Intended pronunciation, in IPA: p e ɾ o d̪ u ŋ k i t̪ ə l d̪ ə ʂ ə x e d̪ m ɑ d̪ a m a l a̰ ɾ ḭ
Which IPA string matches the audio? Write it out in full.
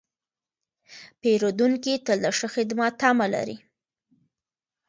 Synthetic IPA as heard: p e ɾ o d̪ u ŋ k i t̪ ə l d̪ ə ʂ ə x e d̪ m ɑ t̪ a m a l a̰ ɾ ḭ